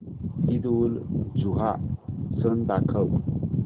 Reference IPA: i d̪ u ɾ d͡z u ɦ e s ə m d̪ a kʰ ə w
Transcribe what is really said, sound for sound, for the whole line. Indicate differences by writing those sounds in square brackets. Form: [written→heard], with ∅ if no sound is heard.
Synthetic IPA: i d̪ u [ɾ→l] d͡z u ɦ [e→a] s ə [m→n] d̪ a kʰ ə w